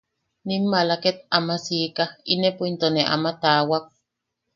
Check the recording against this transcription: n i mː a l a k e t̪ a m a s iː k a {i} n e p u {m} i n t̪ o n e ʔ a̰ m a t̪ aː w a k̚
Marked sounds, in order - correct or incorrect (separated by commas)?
correct, incorrect